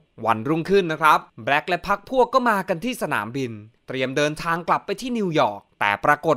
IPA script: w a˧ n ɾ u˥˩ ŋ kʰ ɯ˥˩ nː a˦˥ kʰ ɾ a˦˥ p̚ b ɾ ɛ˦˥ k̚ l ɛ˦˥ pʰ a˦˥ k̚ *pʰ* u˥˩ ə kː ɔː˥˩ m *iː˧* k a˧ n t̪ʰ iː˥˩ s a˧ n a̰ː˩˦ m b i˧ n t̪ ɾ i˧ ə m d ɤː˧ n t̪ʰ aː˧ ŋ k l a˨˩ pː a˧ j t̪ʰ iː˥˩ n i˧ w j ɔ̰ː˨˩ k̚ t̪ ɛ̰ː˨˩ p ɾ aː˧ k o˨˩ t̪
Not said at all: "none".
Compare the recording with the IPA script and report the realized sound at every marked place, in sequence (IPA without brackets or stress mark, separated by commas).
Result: pʰ, aː˧